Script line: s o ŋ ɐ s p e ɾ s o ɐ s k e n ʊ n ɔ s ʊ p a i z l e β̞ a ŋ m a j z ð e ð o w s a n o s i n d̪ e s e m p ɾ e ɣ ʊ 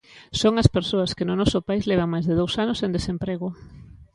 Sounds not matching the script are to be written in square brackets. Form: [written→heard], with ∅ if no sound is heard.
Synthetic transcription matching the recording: s o ŋ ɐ s p e ɾ s o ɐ s k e n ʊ n ɔ s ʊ p a i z l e β̞ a ŋ m a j z ð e ð o w s a n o s [i→e] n d̪ e s e m p ɾ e ɣ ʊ